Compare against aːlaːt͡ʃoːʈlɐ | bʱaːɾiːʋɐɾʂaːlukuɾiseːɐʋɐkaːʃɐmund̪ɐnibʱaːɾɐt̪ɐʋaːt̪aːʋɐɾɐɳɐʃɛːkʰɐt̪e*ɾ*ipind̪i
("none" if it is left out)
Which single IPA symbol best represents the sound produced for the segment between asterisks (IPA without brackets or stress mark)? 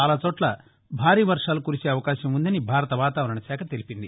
l